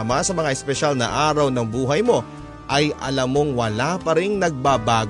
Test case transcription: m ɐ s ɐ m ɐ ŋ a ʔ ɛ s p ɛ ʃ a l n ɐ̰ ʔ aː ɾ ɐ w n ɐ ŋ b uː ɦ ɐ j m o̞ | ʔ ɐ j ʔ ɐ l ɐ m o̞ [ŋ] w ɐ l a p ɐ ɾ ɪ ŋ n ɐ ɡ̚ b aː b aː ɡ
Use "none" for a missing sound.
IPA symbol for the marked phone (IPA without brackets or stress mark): ŋ